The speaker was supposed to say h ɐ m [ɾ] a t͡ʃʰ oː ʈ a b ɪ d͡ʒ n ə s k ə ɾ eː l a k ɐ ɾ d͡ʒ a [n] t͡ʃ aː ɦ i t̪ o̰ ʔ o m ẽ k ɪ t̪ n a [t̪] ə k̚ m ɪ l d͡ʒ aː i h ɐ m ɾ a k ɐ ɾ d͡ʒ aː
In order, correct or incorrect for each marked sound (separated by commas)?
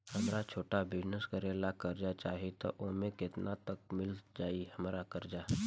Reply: correct, incorrect, correct